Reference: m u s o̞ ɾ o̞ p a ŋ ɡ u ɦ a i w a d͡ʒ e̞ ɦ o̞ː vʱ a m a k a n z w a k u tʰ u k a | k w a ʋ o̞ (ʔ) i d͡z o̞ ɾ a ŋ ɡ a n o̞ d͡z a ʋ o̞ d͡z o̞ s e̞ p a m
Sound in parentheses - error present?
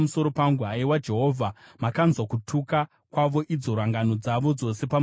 no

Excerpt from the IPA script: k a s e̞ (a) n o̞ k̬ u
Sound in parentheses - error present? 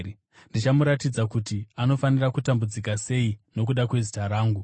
yes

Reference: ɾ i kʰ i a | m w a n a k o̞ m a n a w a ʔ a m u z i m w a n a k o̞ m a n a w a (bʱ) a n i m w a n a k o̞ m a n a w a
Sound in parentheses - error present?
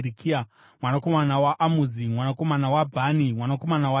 no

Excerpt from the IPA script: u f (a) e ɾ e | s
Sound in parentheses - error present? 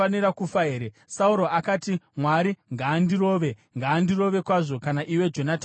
no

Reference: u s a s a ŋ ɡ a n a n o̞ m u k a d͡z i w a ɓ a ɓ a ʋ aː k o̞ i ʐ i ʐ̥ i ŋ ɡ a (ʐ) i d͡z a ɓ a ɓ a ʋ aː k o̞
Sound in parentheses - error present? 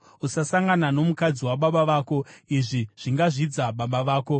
no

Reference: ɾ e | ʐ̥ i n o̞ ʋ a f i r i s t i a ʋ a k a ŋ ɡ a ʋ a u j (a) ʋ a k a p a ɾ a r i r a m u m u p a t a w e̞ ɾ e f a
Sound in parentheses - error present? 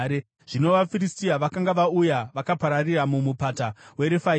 no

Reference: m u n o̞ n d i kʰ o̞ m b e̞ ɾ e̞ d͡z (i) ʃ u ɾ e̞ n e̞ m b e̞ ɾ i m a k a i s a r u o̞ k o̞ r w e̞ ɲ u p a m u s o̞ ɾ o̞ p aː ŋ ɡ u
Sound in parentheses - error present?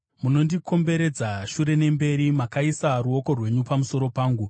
yes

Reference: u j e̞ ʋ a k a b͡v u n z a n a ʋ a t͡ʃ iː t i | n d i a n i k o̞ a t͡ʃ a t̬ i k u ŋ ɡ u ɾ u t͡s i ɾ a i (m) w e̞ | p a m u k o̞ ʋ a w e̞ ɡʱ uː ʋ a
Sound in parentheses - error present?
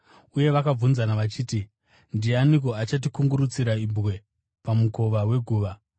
yes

